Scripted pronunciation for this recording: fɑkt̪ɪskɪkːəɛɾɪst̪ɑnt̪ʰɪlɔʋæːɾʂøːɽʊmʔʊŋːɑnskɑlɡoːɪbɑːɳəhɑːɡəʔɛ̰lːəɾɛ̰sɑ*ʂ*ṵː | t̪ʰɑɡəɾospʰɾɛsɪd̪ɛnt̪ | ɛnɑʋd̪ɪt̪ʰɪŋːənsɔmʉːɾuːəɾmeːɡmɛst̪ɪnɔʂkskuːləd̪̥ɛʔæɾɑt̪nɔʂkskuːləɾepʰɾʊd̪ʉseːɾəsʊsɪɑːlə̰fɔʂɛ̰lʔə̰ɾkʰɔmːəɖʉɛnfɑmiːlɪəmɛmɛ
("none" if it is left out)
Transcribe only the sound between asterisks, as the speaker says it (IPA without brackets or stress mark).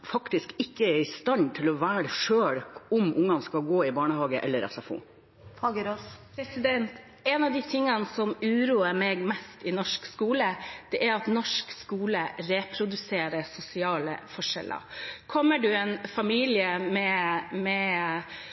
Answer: f